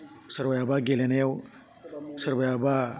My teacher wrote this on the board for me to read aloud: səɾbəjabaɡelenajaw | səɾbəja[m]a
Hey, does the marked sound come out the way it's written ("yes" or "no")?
no